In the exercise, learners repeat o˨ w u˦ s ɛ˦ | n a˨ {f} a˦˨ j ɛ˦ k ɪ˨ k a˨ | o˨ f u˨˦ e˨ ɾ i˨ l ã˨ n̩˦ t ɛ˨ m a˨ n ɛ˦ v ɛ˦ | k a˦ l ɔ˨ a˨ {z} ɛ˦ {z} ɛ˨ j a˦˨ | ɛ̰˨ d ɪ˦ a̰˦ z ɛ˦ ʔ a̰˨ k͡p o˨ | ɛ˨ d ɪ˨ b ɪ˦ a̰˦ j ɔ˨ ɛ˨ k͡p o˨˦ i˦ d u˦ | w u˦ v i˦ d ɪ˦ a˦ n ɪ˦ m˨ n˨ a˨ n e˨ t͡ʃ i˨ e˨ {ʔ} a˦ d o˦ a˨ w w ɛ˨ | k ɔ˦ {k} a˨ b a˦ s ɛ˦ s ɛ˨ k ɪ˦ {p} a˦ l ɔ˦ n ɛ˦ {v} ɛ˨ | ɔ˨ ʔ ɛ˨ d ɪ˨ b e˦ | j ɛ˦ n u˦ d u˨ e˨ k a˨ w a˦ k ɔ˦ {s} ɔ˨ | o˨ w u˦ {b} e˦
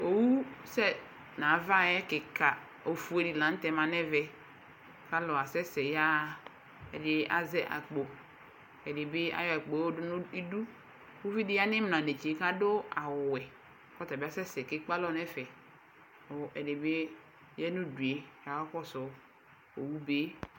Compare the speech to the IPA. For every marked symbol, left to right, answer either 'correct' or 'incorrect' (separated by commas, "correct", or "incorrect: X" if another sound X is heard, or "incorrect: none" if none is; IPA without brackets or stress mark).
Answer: incorrect: v, incorrect: s, incorrect: s, incorrect: k, incorrect: t, incorrect: k͡p, incorrect: f, correct, correct